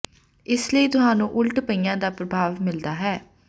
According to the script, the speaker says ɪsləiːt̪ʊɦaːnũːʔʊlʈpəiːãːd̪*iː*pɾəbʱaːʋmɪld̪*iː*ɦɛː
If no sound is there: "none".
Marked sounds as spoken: aː, aː

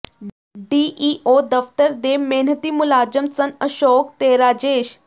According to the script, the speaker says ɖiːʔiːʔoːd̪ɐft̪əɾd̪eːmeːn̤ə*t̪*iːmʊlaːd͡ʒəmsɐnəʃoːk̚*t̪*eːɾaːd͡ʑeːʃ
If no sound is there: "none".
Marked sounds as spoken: t̪, t̪

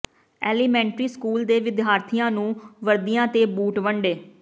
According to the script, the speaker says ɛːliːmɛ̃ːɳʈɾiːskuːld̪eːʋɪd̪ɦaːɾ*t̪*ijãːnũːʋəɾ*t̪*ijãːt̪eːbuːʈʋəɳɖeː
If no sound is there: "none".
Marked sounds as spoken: t̪ʰ, d̪

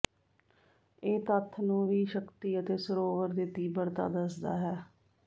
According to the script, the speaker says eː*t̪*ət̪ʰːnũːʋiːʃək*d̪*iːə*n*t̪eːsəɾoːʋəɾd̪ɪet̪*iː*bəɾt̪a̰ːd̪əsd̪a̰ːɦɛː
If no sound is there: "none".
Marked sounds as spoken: t̪, t̪, none, iː

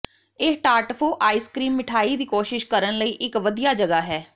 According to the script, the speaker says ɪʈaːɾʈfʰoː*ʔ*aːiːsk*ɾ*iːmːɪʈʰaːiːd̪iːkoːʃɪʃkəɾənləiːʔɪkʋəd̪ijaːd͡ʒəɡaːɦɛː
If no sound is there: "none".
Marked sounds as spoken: ʔ, ɾ

